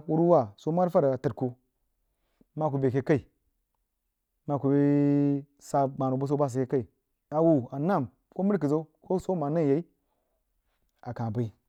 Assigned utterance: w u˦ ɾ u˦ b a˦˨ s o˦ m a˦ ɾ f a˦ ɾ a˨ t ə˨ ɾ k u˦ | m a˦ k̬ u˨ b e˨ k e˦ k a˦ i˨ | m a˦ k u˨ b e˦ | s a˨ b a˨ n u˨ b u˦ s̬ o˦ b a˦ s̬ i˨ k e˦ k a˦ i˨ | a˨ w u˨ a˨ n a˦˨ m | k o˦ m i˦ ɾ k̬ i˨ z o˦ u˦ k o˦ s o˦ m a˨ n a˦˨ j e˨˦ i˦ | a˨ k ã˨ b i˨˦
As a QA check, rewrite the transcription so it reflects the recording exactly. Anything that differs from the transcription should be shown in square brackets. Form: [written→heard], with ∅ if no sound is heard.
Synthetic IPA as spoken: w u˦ ɾ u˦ [b→w] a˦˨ s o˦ m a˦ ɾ f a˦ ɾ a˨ t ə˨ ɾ k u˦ | m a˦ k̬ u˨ b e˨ k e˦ k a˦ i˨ | m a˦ k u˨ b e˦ | s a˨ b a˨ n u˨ b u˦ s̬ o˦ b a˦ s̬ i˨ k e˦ k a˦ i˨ | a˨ w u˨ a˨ n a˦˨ m | k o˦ m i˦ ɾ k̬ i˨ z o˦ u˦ k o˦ s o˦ m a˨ n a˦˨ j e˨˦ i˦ | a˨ k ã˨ b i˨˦